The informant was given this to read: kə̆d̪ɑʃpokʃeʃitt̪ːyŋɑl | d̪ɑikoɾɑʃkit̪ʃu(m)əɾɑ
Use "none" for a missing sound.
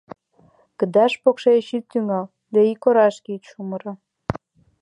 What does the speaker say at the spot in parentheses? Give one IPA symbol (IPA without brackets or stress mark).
m